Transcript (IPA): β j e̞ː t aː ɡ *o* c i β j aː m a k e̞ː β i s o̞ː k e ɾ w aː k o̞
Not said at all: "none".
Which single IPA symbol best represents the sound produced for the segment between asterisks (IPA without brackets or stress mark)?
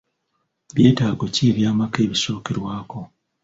o